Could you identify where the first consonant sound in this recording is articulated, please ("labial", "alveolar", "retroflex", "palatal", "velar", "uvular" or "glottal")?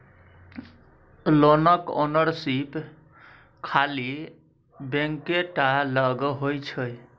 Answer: alveolar